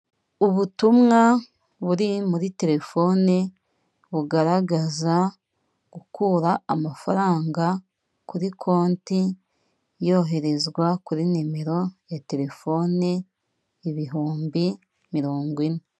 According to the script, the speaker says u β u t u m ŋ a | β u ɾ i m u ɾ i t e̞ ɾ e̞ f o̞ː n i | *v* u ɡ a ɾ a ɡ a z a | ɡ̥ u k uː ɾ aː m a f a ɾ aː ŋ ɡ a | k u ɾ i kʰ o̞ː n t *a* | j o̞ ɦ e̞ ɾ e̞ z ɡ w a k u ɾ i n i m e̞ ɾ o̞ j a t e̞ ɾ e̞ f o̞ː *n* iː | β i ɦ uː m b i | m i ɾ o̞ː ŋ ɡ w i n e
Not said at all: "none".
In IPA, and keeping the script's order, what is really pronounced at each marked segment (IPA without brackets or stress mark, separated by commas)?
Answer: β, i, n